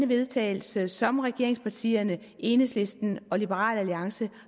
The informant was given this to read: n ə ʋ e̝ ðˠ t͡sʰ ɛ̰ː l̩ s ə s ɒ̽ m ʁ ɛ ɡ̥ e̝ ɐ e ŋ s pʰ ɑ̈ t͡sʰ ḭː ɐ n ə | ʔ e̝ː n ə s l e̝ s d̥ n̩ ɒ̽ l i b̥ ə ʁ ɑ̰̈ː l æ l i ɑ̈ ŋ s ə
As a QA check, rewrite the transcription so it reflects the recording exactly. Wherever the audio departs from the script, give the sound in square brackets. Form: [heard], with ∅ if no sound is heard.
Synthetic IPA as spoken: n ə ʋ e̝ ðˠ t͡sʰ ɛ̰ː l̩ s ə s ɒ̽ m ʁ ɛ ɡ̥ e̝ ɐ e ŋ s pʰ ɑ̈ t͡sʰ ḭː ɐ n ə | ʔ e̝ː n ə s l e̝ s d̥ n̩ ɒ̽ l i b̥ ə ʁ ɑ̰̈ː l æ l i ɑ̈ ŋ s ə